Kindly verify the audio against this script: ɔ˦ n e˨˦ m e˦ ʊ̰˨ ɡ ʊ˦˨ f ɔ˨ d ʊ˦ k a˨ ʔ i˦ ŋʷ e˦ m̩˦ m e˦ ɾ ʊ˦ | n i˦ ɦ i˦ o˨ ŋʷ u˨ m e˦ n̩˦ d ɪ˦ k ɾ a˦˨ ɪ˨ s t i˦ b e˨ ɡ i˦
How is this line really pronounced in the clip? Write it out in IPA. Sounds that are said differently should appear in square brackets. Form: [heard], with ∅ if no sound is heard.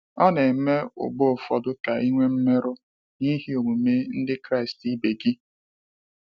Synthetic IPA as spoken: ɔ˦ n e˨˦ m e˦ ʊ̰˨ [ɡ͡b] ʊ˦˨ f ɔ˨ d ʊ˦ k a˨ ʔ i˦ ŋʷ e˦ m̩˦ m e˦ ɾ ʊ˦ | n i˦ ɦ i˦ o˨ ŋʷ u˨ m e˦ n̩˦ d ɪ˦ k ɾ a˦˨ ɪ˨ s t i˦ b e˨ ɡ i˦